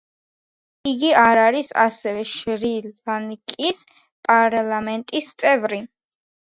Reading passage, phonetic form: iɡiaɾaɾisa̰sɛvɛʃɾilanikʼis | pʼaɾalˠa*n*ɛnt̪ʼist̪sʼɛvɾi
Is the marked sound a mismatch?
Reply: yes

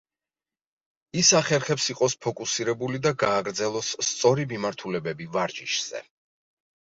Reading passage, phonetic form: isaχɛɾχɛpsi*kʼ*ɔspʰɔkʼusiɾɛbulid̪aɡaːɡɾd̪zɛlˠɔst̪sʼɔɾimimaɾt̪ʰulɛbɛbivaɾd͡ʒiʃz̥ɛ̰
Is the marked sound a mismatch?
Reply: yes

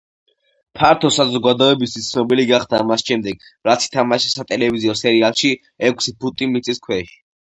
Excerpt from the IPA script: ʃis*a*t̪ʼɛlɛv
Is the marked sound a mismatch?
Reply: no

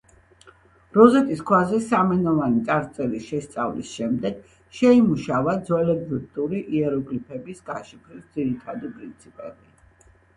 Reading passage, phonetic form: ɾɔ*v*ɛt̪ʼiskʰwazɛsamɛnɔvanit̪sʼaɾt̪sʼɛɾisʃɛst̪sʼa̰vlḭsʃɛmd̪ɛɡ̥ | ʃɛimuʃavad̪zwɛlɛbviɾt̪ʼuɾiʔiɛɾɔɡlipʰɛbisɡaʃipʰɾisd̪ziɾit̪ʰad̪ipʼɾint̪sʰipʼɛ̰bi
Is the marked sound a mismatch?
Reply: yes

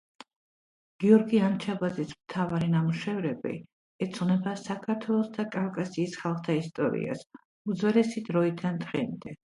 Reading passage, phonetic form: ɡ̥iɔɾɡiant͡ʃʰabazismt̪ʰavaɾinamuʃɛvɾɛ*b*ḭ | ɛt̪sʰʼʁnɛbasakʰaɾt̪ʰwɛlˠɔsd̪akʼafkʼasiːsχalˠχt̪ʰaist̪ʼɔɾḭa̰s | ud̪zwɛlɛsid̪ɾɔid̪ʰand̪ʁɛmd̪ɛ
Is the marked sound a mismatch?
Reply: no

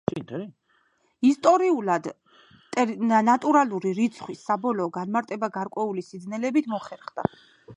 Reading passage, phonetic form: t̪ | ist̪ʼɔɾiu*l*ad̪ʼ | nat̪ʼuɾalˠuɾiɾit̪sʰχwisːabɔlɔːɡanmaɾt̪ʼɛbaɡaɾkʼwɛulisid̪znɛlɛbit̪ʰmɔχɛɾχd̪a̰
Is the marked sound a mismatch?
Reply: no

